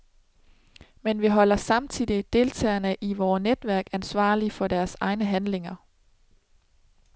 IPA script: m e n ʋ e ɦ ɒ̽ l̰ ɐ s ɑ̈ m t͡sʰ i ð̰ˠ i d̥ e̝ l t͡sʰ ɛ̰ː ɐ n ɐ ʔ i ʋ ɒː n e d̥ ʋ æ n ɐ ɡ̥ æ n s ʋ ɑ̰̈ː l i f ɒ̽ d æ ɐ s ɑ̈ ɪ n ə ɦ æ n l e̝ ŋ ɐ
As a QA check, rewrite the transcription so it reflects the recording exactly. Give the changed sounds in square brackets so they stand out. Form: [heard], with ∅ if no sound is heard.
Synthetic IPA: m e n ʋ [i] ɦ ɒ̽ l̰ ɐ s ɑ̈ m t͡sʰ i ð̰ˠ i d̥ e̝ l t͡sʰ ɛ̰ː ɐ n [ə] ʔ i ʋ ɒː n e d̥ ʋ æ [∅] ɐ ɡ̥ æ n s ʋ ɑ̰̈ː l i f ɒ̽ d æ ɐ s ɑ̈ ɪ n ə ɦ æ n l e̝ ŋ ɐ

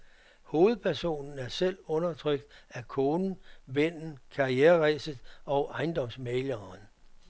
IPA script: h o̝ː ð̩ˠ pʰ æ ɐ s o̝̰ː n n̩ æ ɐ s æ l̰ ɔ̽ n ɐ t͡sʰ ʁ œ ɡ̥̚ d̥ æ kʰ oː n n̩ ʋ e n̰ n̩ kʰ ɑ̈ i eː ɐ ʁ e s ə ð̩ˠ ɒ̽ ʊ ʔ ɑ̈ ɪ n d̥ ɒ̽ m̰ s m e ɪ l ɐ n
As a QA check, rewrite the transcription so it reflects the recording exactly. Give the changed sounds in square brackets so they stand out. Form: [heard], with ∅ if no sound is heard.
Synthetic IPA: h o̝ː ð̩ˠ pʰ æ ɐ s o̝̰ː n n̩ æ ɐ s [e] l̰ ɔ̽ n ɐ t͡sʰ ʁ œ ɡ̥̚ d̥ æ kʰ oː n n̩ ʋ e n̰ n̩ kʰ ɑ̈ i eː ɐ ʁ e s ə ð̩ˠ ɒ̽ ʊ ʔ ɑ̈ ɪ n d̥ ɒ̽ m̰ s m e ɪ l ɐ n

